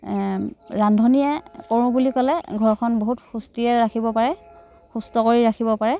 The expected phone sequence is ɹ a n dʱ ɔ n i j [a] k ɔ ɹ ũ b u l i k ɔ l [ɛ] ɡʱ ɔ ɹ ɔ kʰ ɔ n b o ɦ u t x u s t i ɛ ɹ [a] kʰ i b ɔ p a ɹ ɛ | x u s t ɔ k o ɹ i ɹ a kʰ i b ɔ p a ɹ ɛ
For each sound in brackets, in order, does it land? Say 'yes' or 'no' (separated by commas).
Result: no, yes, yes